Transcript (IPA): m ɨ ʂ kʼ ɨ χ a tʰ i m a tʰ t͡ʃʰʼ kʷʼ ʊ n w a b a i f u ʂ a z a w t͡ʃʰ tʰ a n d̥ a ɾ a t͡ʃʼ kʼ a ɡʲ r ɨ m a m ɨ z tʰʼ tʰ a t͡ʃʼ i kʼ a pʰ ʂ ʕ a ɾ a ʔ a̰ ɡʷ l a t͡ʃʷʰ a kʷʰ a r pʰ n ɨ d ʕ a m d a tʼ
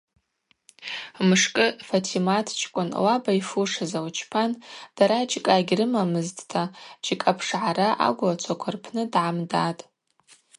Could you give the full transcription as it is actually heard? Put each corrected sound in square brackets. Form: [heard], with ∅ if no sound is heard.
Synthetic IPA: m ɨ ʂ kʼ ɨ [f] a tʰ i m a tʰ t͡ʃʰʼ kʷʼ ʊ n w a b a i f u ʂ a z a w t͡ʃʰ [pʰ] a n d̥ a ɾ a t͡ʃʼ kʼ a ɡʲ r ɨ m a m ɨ z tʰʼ tʰ a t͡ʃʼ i kʼ a pʰ ʂ ʕ a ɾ a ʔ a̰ ɡʷ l a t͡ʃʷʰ a kʷʰ a r pʰ n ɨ d ʕ a m d a tʼ